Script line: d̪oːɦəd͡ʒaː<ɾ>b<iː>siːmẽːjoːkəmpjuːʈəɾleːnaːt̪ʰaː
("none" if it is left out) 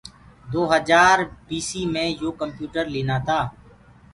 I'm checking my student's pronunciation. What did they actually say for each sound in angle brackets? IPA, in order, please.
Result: ɾ, iː

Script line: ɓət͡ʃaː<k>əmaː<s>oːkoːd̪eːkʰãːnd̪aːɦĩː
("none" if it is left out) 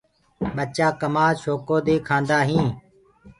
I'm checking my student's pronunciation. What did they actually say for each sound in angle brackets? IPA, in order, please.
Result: k, ʃ

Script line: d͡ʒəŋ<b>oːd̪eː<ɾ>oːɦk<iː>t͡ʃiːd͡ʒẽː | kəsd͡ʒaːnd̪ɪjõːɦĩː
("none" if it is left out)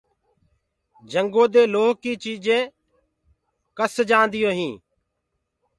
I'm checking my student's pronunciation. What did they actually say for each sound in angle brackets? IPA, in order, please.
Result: ɡ, l, iː

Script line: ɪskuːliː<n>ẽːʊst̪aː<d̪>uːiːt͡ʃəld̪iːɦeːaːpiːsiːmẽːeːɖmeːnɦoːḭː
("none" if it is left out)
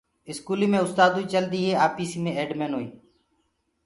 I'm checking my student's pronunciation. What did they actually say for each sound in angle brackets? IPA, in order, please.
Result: m, d̪

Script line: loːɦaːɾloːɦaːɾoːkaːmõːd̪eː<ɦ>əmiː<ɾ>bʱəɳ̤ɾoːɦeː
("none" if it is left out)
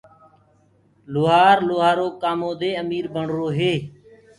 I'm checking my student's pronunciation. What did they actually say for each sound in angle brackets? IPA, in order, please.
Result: none, ɾ

